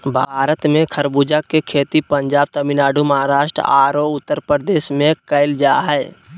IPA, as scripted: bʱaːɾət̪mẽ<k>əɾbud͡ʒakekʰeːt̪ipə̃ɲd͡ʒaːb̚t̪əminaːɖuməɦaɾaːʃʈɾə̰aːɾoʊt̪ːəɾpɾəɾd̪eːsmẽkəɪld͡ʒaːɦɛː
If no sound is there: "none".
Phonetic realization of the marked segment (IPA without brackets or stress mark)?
kʰ